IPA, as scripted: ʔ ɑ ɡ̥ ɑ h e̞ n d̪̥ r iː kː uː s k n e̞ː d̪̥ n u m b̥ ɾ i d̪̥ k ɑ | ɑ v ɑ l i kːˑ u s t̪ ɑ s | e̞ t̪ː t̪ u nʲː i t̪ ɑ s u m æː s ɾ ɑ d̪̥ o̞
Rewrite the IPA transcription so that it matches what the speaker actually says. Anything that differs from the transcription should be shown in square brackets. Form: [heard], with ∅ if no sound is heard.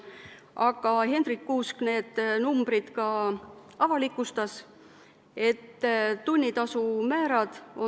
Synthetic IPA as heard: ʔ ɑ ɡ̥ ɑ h e̞ n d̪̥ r [i] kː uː s k n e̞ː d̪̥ n u m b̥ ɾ i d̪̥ k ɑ | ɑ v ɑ l i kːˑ u s t̪ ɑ s | e̞ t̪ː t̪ u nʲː i t̪ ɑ s u m æː [∅] ɾ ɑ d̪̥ o̞